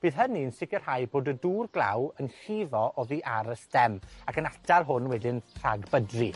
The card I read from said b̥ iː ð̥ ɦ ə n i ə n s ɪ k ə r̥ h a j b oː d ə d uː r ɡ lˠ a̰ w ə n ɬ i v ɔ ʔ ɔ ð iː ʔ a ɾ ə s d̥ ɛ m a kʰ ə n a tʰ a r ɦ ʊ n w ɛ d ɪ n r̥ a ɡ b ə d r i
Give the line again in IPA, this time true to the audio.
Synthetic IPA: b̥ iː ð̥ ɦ ə n i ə n s ɪ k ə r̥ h a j b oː d ə d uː r ɡ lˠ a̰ w ə n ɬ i v ɔ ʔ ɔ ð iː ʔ a ɾ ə s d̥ ɛ m a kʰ ə n a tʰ a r ɦ ʊ n w ɛ d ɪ n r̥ a ɡ b ə d r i